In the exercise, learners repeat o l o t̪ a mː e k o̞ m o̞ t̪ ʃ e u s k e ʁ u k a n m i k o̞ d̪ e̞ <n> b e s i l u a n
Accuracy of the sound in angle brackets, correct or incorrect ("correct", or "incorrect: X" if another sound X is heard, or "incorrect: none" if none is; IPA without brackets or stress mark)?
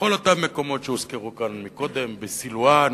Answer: incorrect: m